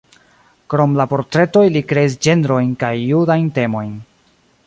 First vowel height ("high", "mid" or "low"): mid